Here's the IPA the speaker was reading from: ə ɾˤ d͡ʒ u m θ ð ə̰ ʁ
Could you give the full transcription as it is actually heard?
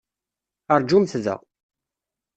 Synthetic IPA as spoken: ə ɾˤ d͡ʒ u m θ ð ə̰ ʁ